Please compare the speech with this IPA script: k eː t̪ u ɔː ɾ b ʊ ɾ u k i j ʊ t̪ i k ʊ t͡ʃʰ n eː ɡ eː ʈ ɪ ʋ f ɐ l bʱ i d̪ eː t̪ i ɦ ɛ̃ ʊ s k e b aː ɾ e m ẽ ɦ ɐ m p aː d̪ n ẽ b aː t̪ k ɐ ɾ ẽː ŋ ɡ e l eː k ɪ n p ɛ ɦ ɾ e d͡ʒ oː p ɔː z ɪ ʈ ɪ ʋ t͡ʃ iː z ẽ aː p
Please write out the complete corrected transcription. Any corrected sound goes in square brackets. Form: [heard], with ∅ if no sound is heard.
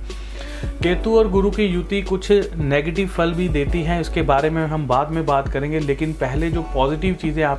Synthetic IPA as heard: k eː t̪ u ɔː ɾ [ɡ] ʊ ɾ u k i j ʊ t̪ i k ʊ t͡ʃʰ n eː ɡ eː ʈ ɪ ʋ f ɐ l bʱ i d̪ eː t̪ i ɦ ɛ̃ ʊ s k e b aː ɾ e m ẽ ɦ ɐ m [b] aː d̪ [m] ẽ b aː t̪ k ɐ ɾ ẽː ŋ ɡ e l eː k ɪ n p ɛ ɦ [l] e d͡ʒ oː p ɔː z ɪ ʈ ɪ ʋ t͡ʃ iː z ẽ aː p